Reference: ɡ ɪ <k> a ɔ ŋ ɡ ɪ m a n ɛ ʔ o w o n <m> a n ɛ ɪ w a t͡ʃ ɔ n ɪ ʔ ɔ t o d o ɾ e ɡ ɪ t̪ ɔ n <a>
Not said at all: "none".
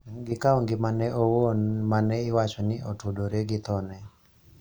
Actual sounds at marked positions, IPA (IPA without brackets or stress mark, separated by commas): k, m, ɛ